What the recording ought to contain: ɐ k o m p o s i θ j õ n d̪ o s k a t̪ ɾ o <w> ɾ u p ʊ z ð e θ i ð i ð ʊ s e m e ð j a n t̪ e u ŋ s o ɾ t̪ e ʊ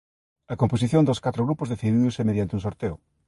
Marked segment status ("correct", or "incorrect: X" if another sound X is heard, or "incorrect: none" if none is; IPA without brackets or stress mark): incorrect: ɣ